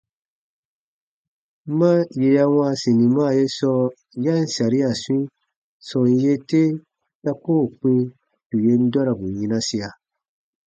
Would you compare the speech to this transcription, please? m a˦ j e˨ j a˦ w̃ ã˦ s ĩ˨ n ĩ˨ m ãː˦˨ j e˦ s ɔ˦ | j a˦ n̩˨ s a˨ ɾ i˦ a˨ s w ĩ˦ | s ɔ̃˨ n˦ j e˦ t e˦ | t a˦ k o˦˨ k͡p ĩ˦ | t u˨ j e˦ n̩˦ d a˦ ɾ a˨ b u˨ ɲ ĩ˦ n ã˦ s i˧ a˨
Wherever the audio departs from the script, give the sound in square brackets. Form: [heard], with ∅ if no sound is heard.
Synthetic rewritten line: m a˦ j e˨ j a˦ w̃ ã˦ s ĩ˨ n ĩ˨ m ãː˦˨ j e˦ s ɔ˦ | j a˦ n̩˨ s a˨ ɾ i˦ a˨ s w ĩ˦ | s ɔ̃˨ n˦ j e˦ t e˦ | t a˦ k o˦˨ k͡p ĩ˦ | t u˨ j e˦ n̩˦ d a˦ ɾ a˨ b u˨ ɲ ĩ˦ n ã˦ s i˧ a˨

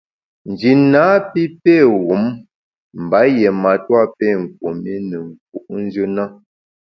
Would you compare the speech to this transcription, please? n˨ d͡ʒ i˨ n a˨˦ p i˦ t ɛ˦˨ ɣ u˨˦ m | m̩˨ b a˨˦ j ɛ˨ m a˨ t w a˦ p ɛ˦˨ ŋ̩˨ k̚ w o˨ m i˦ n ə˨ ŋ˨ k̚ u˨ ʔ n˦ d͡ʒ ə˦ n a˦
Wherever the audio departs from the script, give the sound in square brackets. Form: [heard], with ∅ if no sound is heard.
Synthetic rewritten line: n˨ d͡ʒ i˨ n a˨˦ p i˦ [p] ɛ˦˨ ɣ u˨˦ m | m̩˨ b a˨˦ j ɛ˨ m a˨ t w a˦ p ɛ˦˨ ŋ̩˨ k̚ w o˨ m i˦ n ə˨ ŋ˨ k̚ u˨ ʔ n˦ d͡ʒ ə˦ n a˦

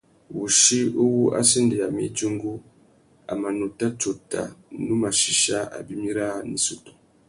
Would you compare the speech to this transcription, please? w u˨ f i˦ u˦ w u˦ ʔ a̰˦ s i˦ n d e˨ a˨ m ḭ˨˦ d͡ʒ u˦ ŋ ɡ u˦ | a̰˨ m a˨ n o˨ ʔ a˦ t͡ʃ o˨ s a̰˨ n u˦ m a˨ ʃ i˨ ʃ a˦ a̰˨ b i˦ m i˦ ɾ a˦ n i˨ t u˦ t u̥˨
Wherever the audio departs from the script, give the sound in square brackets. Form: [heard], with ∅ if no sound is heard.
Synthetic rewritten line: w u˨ [ʃ] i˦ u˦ w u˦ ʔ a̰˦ s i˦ n d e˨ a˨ m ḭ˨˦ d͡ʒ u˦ ŋ ɡ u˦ | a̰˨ m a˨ n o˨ [t] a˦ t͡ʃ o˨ [t] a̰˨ n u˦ m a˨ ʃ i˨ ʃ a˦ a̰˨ b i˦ m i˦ ɾ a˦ n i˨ [s] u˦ t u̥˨

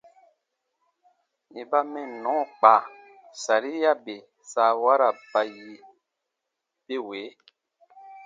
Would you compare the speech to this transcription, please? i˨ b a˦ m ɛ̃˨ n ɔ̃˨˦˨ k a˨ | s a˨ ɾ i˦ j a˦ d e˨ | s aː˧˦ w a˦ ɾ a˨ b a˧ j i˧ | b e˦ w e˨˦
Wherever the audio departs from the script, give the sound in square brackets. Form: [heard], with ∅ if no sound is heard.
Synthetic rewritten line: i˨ b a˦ m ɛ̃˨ n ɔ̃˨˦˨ [k͡p] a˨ | s a˨ ɾ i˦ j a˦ [b] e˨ | s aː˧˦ w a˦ ɾ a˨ b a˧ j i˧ | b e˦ w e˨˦

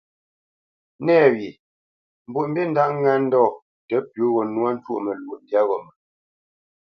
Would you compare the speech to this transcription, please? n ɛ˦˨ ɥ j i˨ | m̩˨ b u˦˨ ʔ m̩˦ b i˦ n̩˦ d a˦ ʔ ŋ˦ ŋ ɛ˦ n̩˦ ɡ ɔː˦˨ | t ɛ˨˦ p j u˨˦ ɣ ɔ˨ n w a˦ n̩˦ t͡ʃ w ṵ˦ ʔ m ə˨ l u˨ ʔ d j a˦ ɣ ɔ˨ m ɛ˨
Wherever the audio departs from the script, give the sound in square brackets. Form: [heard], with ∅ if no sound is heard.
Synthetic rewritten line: n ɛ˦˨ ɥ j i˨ | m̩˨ b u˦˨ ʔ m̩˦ b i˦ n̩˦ d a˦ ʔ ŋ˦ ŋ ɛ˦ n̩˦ [d] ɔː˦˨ | t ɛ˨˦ p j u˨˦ ɣ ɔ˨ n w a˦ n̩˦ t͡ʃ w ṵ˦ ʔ m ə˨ l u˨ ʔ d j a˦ ɣ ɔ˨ m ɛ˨

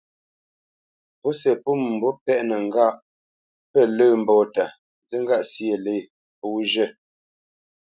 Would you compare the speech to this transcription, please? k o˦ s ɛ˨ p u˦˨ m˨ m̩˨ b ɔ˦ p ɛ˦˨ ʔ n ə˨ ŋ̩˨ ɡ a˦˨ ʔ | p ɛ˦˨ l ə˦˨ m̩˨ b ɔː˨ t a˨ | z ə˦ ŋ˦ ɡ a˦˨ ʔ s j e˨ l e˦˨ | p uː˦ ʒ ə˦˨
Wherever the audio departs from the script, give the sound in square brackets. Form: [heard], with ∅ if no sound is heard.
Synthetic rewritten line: [p] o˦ s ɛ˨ p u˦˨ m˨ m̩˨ b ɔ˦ p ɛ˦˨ ʔ n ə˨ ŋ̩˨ ɡ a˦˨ ʔ | p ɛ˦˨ l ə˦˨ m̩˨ b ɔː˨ t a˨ | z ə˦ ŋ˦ ɡ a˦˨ ʔ s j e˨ l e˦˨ | p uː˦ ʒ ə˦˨

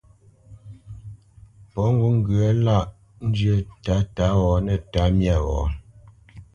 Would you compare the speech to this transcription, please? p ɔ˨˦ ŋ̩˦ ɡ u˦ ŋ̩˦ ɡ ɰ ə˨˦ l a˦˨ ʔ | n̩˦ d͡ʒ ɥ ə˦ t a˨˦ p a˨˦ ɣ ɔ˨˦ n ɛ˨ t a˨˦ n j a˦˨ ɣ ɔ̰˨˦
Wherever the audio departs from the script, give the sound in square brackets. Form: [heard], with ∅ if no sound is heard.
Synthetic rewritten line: p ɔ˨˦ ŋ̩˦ ɡ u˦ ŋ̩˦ ɡ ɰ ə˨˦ l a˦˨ ʔ | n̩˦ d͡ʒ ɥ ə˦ t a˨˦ [t] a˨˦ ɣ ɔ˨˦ n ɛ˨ t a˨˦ [m] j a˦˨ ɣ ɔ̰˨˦

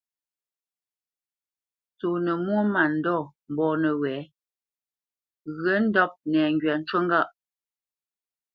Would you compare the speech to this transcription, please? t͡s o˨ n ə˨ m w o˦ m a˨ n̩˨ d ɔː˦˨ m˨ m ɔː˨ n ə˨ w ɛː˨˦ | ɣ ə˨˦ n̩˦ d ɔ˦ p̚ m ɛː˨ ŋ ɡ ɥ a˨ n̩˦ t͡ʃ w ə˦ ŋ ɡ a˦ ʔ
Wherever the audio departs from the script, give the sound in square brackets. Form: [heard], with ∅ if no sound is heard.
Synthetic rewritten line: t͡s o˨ n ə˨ m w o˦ m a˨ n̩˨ d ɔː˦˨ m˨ [b] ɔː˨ n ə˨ w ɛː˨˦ | ɣ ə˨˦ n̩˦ d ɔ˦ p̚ [n] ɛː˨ ŋ ɡ ɥ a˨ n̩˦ t͡ʃ w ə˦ ŋ ɡ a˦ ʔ

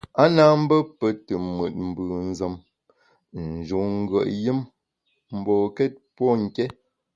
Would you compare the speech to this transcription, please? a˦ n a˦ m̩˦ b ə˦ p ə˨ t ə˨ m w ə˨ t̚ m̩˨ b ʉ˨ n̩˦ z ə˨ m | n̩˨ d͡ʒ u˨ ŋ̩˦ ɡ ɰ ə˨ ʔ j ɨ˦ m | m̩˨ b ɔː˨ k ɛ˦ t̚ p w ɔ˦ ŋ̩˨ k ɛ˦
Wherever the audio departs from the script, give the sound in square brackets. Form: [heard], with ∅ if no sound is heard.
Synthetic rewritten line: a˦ n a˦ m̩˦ b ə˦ p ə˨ t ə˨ m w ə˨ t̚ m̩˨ b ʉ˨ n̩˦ z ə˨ m | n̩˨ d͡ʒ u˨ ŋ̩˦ ɡ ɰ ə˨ ʔ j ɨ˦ m | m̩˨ b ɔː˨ k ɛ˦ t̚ p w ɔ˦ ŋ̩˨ k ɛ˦

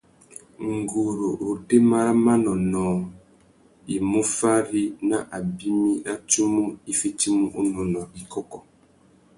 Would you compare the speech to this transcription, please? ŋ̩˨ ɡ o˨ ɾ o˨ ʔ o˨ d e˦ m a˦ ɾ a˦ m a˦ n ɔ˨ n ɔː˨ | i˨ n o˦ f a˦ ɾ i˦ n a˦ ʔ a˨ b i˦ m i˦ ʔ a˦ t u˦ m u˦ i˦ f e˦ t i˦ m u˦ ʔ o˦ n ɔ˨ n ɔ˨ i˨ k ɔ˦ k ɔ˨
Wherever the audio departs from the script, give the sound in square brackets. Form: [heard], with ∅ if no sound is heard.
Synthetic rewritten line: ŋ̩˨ ɡ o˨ ɾ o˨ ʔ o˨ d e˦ m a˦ ɾ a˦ m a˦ n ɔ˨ n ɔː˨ | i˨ [m] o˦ f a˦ ɾ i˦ n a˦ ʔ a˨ b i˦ m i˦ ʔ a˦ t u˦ m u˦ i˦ f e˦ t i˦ m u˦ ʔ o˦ n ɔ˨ n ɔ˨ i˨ k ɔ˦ k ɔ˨

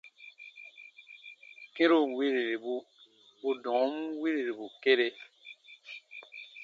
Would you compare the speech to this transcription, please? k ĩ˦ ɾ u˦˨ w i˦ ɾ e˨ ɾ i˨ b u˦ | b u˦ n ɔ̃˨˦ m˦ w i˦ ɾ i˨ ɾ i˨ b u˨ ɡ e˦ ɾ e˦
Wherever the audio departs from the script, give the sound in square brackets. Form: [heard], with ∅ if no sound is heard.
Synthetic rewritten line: k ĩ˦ ɾ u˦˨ w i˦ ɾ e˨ ɾ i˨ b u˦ | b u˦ [d] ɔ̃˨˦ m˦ w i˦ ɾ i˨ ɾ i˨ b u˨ [k] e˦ ɾ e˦

